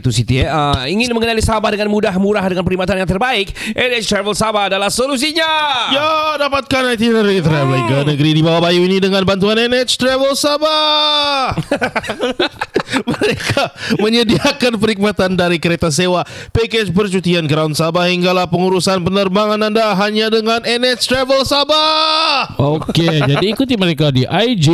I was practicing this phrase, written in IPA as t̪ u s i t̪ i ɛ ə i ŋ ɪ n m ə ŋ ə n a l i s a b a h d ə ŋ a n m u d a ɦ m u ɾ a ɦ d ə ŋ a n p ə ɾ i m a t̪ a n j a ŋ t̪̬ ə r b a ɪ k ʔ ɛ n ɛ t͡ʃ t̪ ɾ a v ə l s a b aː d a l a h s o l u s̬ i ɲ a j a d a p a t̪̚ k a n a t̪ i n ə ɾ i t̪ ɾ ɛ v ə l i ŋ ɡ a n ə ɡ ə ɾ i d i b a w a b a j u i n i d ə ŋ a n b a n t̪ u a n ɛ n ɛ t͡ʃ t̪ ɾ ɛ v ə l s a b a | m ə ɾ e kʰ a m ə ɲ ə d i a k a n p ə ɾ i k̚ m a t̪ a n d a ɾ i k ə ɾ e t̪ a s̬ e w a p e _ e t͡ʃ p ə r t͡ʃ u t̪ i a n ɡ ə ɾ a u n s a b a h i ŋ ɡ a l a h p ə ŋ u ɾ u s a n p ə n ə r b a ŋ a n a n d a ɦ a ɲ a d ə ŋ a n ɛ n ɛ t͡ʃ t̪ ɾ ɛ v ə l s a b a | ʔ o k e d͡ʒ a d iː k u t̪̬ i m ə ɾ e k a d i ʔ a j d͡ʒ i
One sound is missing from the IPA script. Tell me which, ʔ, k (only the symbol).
k